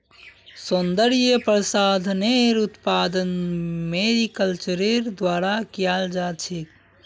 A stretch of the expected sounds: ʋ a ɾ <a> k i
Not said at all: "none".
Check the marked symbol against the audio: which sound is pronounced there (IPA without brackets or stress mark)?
a